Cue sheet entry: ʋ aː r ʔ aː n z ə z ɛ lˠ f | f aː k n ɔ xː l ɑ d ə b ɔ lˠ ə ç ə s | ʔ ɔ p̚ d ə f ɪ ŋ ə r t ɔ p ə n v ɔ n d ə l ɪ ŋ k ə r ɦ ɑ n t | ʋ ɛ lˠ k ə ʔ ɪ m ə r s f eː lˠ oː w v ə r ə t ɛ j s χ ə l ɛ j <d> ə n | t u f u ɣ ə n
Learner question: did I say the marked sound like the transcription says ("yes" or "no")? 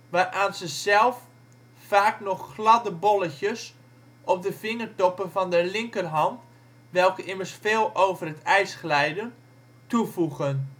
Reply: yes